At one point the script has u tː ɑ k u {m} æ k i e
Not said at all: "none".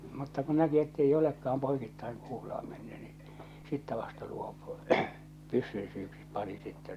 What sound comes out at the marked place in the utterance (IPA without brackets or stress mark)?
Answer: n